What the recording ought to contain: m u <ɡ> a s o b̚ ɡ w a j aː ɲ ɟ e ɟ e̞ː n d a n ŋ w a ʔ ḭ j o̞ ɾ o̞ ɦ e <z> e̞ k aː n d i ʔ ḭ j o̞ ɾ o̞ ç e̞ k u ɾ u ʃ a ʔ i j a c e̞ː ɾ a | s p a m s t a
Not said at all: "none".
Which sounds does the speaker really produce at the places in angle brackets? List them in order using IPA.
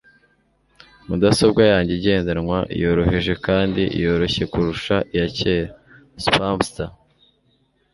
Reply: d, ʒ

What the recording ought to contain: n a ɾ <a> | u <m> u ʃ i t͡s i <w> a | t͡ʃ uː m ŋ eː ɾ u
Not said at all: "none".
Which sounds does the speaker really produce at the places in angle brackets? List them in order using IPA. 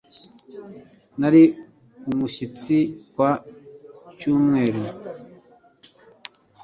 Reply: i, m, w

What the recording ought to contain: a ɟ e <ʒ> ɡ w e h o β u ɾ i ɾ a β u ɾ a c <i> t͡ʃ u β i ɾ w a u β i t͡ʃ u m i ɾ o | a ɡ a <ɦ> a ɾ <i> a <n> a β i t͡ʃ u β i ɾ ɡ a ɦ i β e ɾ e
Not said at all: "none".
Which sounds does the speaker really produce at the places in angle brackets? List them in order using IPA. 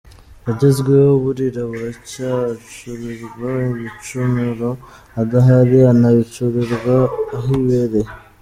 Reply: z, a, ɦ, i, n

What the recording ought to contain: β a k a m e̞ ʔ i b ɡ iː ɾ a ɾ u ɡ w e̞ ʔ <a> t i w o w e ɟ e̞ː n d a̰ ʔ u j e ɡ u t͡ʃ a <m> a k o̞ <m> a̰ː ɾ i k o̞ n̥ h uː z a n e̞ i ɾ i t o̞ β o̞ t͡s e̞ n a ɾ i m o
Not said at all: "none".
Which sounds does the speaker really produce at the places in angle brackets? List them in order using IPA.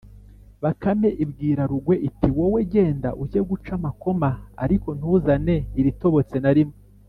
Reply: i, m, m

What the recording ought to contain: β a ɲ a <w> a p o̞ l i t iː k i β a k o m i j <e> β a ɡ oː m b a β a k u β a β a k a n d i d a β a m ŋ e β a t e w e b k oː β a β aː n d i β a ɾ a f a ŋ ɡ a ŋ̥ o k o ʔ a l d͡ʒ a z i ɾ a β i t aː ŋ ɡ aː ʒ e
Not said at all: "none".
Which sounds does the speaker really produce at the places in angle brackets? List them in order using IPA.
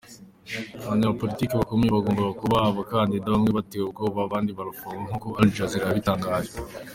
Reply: β, e

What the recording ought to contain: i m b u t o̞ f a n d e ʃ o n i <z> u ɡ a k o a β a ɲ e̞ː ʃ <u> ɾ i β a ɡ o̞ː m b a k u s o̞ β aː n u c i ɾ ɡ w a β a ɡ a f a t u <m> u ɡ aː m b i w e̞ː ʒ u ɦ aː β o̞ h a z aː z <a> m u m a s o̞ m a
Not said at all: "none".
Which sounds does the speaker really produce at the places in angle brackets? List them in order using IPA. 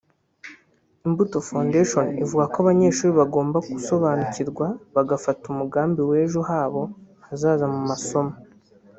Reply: v, uː, m, a

